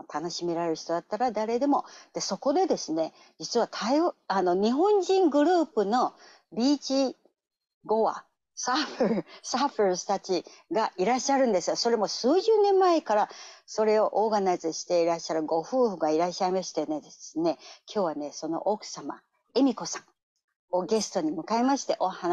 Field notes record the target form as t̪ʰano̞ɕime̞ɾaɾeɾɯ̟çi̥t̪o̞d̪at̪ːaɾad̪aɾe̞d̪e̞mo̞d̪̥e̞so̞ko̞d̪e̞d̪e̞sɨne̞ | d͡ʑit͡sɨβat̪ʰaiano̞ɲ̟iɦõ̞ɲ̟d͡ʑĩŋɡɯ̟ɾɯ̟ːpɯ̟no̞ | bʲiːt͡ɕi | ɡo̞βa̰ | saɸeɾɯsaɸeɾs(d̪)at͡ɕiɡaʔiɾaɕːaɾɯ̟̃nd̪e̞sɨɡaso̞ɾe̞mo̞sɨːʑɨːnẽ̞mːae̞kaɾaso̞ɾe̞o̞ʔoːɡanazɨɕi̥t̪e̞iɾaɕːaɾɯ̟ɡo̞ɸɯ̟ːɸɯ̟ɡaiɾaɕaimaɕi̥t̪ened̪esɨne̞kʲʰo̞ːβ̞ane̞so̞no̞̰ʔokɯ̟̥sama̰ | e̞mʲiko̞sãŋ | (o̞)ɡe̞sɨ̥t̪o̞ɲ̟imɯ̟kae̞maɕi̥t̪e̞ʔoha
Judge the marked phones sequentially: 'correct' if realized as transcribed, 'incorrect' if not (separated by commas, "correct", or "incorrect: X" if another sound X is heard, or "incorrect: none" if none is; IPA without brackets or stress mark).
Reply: incorrect: t̪, correct